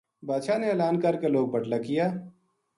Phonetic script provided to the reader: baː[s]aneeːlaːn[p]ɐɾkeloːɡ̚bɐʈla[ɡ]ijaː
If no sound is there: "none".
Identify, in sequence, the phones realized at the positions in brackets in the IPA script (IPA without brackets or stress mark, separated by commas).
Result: ʃ, k, k